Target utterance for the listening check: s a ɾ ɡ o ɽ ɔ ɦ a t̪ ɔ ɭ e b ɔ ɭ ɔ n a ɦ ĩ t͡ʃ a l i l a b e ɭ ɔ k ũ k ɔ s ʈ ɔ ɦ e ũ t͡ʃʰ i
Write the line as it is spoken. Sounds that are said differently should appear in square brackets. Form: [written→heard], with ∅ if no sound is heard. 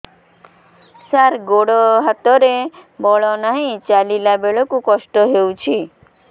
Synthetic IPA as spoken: s a ɾ ɡ o ɽ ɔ ɦ a t̪ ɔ [ɭ→ɾ] e b ɔ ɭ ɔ n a ɦ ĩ t͡ʃ a l i l a b e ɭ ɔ k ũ k ɔ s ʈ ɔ ɦ e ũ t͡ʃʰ i